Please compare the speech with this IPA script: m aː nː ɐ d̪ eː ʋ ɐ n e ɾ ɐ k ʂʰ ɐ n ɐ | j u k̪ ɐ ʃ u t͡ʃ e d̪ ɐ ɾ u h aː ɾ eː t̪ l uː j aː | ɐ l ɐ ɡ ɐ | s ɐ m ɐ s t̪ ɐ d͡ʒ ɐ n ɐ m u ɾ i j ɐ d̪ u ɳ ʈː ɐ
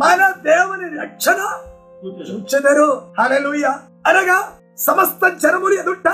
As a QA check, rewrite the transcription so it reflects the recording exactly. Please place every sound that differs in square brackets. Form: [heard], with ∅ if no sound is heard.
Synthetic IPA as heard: m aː [n] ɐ d̪ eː ʋ ɐ n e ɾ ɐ k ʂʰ ɐ n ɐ | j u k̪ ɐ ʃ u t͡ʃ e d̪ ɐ ɾ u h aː [l] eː [∅] l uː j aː | ɐ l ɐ ɡ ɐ | s ɐ m ɐ s t̪ ɐ d͡ʒ ɐ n ɐ m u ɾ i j ɐ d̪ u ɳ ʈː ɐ